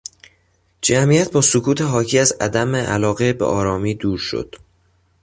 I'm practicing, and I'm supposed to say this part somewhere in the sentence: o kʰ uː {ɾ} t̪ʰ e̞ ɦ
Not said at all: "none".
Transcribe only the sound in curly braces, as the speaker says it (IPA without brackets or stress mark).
none